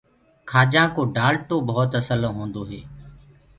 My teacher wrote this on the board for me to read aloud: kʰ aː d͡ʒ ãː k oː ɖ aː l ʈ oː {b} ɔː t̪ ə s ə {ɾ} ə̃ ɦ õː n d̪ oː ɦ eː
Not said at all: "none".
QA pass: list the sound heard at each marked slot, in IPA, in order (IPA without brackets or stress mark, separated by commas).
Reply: b, l